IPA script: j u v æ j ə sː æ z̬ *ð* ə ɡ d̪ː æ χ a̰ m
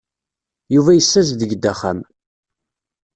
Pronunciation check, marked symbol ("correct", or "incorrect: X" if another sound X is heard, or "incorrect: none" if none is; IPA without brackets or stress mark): correct